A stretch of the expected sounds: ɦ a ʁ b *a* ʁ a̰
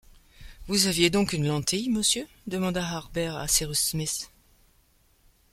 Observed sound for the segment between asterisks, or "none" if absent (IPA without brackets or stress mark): ɛ